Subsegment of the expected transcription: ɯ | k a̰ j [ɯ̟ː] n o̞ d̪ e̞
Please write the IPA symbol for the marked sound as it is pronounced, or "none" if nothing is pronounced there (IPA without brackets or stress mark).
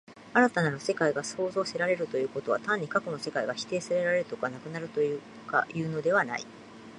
ɯ̟ː